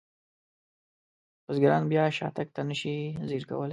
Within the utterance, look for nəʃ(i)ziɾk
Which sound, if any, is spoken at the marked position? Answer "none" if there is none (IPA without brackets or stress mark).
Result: i